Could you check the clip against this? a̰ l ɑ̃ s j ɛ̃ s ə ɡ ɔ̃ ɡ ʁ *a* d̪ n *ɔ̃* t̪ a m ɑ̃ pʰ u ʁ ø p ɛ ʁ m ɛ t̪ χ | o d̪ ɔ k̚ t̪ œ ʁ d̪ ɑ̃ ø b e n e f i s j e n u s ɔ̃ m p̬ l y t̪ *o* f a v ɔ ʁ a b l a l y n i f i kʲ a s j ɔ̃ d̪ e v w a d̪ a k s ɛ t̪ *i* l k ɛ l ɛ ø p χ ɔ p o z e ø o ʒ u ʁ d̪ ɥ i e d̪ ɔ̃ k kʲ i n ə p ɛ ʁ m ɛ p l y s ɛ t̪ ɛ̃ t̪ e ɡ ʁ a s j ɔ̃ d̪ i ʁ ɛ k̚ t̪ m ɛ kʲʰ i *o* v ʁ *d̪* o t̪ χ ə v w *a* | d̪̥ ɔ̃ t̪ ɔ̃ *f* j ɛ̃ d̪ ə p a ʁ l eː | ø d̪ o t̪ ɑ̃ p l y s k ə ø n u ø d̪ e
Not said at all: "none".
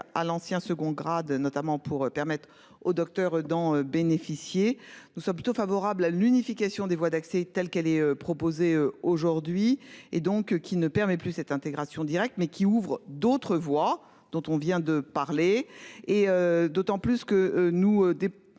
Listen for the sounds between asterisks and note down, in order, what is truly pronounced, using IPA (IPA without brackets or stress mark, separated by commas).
a, ɔ, o, ɛ, u, d̪, a, v